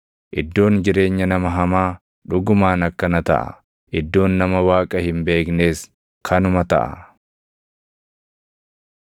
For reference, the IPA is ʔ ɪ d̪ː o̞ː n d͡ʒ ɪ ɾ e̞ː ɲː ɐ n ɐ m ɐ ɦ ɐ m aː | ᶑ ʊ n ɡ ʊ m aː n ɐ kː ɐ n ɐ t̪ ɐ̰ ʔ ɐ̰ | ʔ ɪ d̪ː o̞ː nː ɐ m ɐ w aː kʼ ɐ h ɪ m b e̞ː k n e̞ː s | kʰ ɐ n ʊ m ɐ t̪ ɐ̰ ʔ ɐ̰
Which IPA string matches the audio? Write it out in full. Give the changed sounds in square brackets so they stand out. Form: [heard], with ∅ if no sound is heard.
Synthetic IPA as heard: ʔ ɪ d̪ː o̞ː n d͡ʒ ɪ ɾ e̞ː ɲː ɐ n ɐ m ɐ ɦ ɐ m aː | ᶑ ʊ [∅] ɡ ʊ m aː n ɐ kː ɐ n ɐ t̪ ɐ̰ ʔ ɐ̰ | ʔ ɪ d̪ː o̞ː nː ɐ m ɐ w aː kʼ ɐ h ɪ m b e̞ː k n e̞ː s | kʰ ɐ n ʊ m ɐ t̪ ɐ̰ ʔ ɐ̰